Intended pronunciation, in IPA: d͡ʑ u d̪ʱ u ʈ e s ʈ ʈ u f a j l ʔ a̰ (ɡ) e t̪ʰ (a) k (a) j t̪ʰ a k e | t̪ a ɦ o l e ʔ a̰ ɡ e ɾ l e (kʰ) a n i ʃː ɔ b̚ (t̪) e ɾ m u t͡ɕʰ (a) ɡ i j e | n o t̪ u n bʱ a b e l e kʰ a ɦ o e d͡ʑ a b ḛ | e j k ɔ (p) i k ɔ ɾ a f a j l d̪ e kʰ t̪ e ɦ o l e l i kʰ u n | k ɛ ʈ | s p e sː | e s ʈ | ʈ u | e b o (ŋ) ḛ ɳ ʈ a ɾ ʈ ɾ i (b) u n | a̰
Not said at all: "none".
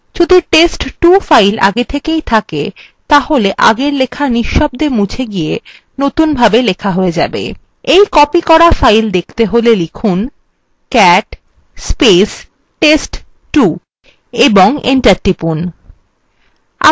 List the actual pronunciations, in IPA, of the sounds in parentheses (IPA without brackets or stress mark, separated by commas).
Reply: ɡ, e, e, kʰ, d̪, e, p, ŋ, p